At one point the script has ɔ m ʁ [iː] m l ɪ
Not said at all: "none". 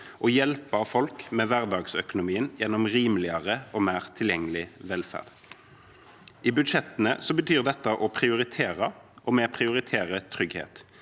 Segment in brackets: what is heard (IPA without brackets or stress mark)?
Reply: iː